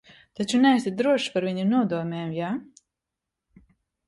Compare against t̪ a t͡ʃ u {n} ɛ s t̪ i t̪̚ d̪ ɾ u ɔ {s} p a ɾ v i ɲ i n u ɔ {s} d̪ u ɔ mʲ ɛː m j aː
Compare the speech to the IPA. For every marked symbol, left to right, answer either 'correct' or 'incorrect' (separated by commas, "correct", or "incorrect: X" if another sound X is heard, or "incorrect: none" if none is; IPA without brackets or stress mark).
correct, incorrect: ʃ, incorrect: none